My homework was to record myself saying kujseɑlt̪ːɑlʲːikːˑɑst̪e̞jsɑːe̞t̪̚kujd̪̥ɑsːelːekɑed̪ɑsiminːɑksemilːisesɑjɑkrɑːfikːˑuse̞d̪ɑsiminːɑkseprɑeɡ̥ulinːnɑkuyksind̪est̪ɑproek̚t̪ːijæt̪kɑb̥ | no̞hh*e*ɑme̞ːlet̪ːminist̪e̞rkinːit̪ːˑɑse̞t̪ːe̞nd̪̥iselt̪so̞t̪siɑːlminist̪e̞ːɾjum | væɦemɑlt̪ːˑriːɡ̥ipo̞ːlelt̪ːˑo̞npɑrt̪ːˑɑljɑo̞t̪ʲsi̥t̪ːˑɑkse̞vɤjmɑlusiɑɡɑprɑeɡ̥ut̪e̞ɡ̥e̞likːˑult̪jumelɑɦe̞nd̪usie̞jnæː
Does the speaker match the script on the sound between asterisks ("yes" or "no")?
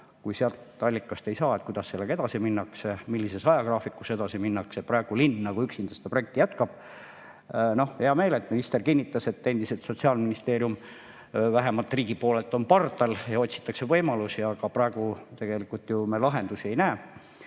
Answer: yes